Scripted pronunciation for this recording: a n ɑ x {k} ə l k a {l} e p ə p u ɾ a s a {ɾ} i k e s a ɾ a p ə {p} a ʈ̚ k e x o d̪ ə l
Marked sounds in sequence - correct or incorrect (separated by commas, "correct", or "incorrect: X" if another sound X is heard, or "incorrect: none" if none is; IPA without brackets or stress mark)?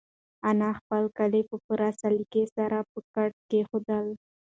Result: incorrect: p, correct, incorrect: l, incorrect: k